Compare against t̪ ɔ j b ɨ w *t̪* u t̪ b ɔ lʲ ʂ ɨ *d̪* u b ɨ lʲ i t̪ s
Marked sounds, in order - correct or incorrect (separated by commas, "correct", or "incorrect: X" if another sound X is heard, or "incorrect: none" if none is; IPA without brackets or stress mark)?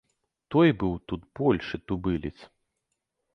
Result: correct, incorrect: t̪